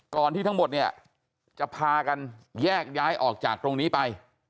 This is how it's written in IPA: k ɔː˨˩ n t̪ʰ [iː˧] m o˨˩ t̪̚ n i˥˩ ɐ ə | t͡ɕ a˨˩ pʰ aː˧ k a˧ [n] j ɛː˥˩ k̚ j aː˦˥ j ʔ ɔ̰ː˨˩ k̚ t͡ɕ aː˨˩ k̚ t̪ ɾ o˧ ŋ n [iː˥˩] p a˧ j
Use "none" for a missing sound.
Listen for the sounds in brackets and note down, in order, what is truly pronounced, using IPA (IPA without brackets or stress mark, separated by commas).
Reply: iː˥˩˦, n, iː˦˥